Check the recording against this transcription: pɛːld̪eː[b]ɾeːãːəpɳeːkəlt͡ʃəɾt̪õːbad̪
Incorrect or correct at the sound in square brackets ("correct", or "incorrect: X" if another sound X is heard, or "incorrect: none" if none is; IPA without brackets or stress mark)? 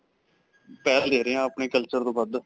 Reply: incorrect: none